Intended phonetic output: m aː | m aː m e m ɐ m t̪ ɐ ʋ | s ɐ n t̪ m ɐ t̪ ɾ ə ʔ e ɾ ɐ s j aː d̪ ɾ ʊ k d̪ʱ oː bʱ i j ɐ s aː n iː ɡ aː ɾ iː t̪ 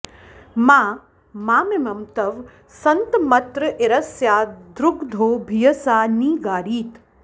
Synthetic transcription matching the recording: m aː | m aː m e m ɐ m t̪ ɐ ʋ | s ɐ n t̪ m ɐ t̪ ɾ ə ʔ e ɾ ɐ s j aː d̪ ɾ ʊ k d̪ʱ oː bʱ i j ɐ s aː n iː ɡ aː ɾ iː t̪

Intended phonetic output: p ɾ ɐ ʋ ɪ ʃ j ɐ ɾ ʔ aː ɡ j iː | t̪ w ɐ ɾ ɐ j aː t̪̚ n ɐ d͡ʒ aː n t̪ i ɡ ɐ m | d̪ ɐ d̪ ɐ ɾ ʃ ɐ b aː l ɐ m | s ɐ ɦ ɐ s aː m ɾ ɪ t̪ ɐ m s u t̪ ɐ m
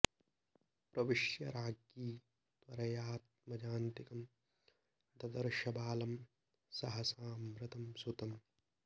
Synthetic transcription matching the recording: p ɾ ɐ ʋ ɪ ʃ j ɐ ɾ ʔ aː ɡ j iː | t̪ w ɐ ɾ ɐ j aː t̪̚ m ɐ d͡ʒ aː n t̪ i k ɐ m | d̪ ɐ d̪ ɐ ɾ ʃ ɐ b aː l ɐ m | s ɐ ɦ ɐ s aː m ɾ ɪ t̪ ɐ m s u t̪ ɐ m

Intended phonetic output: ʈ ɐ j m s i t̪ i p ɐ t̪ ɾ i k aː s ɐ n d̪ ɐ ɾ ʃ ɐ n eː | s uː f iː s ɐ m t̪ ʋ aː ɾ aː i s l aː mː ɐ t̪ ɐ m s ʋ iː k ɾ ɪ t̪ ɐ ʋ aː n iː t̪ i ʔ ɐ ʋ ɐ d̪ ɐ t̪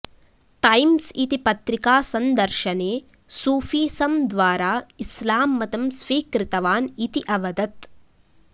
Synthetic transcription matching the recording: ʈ ɐ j m s i t̪ i p ɐ t̪ ɾ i k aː s ɐ n d̪ ɐ ɾ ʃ ɐ n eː | s uː f iː s ɐ m d̪ ʋ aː ɾ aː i s l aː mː ɐ t̪ ɐ m s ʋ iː k ɾ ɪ t̪ ɐ ʋ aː n i t̪ i ʔ ɐ ʋ ɐ d̪ ɐ t̪

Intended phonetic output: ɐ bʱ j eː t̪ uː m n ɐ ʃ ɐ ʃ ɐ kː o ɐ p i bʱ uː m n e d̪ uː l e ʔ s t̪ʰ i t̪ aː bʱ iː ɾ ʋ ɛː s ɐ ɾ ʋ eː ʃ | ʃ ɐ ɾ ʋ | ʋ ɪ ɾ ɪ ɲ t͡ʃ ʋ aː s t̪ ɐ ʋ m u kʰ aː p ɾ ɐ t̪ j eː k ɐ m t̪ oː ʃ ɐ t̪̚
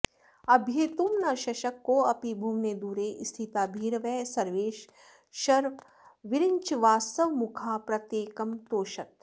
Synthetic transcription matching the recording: ɐ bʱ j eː t̪ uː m n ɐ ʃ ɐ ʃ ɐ kː o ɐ p i bʱ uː m n e d̪ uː ɾ e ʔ s t̪ʰ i t̪ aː bʱ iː ɾ ʋ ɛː s ɐ ɾ ʋ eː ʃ | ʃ ɐ ɾ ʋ | ʋ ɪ ɾ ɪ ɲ t͡ʃ ʋ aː s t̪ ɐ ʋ m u kʰ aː p ɾ ɐ t̪ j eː k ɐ m t̪ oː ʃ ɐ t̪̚

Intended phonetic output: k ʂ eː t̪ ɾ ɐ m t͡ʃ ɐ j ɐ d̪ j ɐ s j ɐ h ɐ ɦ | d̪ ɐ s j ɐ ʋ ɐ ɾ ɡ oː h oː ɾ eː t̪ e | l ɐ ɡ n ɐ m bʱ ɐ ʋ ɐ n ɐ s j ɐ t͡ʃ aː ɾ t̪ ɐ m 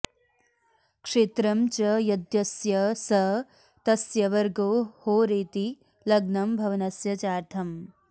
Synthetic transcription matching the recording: k ʂ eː t̪ ɾ ɐ m t͡ʃ ɐ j ɐ d̪ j ɐ s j ɐ s ɐ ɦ | t̪ ɐ s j ɐ ʋ ɐ ɾ ɡ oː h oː ɾ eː t̪ i | l ɐ ɡ n ɐ m bʱ ɐ ʋ ɐ n ɐ s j ɐ t͡ʃ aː ɾ t̪ʰ ɐ m

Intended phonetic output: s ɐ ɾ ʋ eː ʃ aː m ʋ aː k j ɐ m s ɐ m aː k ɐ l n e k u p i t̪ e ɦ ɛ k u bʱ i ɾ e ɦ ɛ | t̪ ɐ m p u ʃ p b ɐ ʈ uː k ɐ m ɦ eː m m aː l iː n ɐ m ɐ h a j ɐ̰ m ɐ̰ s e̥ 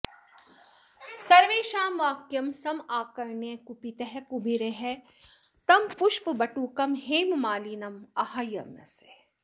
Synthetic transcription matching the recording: s ɐ ɾ ʋ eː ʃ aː m ʋ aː k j ɐ m s ɐ m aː k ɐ ɾ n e k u p i t̪ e ɦ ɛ k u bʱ i ɾ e ɦ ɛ | t̪ ɐ m p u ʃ p b ɐ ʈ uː k ɐ m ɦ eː m m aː l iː n ɐ m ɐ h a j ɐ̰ m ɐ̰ s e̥

